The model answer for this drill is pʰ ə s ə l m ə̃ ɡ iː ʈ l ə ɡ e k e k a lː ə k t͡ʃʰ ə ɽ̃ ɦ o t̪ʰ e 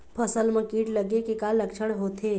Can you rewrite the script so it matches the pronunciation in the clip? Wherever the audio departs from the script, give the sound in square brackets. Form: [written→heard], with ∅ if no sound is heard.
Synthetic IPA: pʰ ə s ə l m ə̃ [ɡ→k] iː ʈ l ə ɡ e k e k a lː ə k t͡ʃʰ ə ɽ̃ ɦ o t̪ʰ e